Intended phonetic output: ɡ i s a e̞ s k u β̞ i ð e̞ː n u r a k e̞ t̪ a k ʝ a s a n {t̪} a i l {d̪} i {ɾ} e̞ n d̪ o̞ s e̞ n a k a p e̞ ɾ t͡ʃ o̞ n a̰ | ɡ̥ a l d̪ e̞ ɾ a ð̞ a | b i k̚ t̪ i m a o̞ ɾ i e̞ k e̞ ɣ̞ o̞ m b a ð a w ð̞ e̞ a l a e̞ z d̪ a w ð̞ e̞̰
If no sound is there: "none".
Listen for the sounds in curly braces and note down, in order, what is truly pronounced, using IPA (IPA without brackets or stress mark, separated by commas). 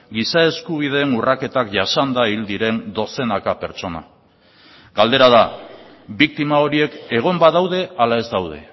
d̪, d̪, ɾ